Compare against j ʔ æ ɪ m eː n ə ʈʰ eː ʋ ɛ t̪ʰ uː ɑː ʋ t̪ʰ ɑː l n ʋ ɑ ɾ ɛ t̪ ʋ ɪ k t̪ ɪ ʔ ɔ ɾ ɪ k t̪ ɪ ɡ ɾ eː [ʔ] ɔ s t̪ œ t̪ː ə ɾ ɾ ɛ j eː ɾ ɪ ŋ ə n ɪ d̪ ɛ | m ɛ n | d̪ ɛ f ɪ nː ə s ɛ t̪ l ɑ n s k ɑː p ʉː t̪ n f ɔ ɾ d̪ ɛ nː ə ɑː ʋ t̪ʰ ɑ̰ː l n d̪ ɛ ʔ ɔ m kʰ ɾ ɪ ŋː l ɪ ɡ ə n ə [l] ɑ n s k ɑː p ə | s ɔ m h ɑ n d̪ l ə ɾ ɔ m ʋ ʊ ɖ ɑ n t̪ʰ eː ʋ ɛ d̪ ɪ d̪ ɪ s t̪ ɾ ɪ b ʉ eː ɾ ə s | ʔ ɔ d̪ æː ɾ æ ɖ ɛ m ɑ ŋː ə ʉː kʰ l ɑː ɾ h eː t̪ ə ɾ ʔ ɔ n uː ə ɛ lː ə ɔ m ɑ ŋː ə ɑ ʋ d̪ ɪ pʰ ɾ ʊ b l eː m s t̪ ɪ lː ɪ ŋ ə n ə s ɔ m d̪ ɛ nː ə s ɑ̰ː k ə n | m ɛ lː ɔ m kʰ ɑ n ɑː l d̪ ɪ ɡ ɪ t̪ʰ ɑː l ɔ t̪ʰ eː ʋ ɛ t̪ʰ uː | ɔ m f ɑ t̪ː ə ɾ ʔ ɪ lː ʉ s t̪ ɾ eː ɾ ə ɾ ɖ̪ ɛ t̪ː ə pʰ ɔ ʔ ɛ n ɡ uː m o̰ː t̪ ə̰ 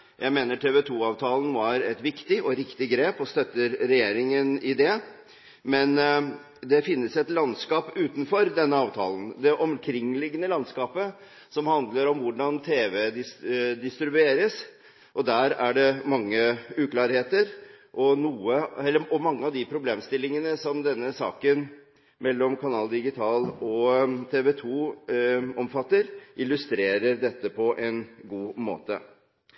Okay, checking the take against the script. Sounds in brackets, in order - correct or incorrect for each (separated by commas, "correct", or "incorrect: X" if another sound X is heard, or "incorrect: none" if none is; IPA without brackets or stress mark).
incorrect: p, correct